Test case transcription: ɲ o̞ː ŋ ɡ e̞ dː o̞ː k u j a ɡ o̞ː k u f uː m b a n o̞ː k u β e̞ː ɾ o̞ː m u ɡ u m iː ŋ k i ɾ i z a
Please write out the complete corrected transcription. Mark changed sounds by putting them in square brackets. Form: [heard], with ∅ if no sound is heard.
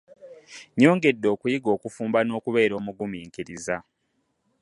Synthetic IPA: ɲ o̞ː ŋ ɡ e̞ dː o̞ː k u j [i] ɡ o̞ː k u f uː m b a n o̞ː k u β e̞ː ɾ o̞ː m u ɡ u m iː ŋ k i ɾ i z a